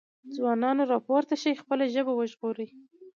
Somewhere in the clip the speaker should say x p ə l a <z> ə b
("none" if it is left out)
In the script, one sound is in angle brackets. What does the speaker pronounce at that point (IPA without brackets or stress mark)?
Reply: ʒ